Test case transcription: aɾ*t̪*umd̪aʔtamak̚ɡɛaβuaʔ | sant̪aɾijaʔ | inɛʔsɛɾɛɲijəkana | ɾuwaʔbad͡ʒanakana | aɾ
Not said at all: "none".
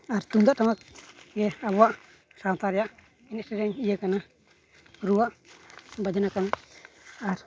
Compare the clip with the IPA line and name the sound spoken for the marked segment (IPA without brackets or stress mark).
t̪